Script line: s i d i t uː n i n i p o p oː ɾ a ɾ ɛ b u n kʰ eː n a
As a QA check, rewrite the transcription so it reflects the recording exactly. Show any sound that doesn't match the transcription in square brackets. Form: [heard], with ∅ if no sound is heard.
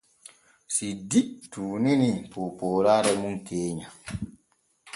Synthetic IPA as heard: s i d i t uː n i n i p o p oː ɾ a ɾ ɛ [m] u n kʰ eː [ɲ] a